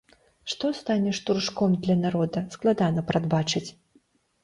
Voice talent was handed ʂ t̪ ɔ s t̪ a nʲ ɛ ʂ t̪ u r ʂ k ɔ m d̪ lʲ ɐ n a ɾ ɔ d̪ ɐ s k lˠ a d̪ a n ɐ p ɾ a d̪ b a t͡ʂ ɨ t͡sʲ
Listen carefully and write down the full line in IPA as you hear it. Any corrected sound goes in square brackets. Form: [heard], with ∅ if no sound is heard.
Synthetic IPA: ʂ t̪ ɔ s t̪ a nʲ ɛ ʂ t̪ u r ʂ k ɔ m d̪ lʲ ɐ n a ɾ ɔ d̪ ɐ s k lˠ a d̪ a n ɐ p ɾ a d̪ b a t͡ʂ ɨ t͡sʲ